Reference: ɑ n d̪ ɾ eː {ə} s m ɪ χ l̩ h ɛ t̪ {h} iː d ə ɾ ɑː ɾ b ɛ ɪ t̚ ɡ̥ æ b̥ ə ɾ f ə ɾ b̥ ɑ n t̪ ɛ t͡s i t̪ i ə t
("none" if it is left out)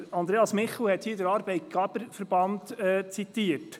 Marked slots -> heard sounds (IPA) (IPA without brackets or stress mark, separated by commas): ɑ, h